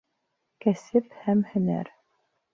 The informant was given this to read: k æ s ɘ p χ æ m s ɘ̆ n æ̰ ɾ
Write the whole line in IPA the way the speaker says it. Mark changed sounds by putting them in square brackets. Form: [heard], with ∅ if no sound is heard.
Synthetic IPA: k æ s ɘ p [h] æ m [h] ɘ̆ n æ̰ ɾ